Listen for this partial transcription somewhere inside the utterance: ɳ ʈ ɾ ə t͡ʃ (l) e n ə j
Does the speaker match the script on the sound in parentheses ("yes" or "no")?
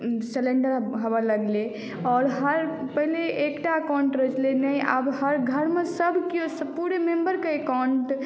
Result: yes